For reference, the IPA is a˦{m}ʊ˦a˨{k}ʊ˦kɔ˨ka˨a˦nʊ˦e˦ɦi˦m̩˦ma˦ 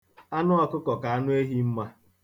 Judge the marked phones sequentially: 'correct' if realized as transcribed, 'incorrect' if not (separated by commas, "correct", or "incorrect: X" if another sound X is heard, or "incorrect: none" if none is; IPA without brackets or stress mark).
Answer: incorrect: n, correct